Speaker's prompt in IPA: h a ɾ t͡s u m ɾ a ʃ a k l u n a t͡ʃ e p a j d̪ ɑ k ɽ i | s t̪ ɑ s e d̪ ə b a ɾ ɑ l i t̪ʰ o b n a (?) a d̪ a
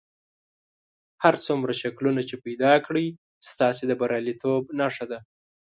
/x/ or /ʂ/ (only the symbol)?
ʂ